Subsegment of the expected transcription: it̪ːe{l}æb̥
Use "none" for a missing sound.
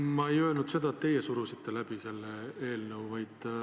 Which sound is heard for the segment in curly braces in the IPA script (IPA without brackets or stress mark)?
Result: l